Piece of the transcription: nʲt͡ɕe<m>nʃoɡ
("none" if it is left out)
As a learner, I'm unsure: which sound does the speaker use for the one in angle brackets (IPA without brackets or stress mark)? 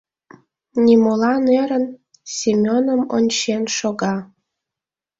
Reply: none